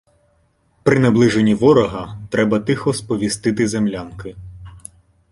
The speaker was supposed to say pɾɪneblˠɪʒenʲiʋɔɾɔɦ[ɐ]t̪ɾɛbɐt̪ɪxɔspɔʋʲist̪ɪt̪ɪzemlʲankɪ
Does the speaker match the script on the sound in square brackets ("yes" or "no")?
yes